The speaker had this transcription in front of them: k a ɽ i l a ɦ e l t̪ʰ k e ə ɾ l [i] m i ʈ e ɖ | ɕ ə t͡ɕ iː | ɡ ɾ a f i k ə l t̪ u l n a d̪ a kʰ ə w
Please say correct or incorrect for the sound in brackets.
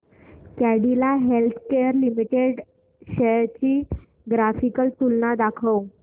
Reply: correct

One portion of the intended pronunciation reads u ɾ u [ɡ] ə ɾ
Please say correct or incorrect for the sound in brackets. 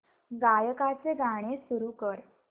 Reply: incorrect: k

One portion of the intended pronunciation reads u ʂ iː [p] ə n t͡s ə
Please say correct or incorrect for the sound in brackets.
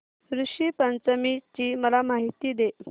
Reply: correct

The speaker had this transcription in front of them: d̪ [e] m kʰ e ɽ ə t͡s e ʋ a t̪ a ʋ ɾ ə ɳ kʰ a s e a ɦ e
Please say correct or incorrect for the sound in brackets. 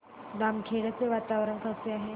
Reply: incorrect: a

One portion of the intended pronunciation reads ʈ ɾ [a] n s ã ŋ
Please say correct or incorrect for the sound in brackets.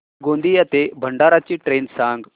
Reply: incorrect: e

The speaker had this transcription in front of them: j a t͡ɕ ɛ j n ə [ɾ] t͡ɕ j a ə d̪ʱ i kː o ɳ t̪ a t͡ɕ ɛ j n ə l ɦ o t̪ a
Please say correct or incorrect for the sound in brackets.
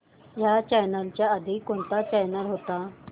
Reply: incorrect: l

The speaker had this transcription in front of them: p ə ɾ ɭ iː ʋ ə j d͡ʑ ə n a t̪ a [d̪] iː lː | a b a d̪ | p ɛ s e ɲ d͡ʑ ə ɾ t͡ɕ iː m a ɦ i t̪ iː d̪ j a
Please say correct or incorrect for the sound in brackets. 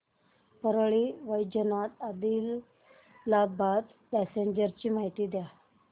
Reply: correct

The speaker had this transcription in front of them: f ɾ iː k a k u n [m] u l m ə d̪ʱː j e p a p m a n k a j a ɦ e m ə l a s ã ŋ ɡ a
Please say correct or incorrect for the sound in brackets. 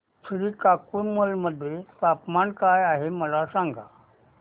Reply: correct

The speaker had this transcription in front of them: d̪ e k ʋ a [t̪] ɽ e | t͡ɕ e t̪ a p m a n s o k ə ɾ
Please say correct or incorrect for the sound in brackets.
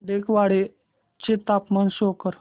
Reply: incorrect: none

